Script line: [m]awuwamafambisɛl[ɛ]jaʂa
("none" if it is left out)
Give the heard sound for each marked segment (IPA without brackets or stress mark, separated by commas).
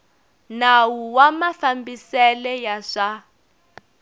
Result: n, ɛ